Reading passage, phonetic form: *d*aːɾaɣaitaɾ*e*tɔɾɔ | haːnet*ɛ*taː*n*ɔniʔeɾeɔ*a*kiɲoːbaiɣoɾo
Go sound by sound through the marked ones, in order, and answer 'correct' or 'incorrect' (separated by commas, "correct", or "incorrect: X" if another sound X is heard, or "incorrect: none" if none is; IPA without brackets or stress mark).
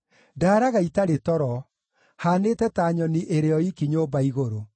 correct, correct, correct, incorrect: ɲ, incorrect: i